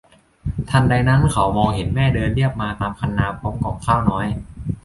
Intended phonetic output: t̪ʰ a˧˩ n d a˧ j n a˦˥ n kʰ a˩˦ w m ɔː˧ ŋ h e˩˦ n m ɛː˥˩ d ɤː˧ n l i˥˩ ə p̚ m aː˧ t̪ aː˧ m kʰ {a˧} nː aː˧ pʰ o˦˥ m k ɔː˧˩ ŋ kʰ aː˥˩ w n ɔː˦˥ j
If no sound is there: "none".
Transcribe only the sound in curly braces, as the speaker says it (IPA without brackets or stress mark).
a˧